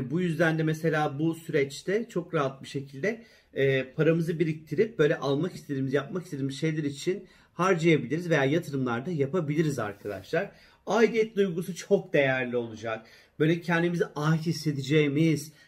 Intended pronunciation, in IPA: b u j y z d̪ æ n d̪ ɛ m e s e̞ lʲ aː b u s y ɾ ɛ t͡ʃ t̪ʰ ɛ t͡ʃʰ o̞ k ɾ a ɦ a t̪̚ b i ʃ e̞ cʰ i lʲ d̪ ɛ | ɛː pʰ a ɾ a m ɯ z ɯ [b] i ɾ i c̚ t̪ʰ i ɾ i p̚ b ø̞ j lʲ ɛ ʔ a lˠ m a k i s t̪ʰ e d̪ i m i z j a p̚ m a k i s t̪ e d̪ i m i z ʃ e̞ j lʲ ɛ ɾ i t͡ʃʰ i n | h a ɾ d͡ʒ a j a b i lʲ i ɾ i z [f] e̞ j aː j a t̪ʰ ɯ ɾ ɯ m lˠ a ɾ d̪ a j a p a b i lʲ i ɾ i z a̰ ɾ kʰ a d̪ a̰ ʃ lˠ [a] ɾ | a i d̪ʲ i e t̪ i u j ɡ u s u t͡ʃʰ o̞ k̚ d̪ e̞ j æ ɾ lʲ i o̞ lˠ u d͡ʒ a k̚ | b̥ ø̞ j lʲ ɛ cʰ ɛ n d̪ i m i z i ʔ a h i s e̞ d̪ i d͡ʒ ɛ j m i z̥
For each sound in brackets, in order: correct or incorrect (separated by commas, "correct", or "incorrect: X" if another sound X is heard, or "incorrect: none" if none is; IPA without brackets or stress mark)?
correct, incorrect: v, correct